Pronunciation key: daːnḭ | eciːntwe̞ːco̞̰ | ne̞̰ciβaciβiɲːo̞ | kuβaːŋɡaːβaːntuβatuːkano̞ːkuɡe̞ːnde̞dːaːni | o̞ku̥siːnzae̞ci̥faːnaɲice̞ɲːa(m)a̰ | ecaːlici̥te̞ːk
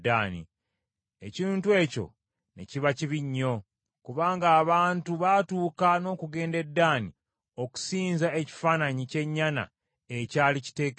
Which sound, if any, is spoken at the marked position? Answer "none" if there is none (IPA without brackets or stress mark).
n